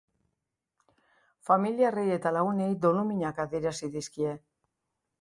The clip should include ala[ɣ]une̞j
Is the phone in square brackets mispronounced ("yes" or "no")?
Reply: no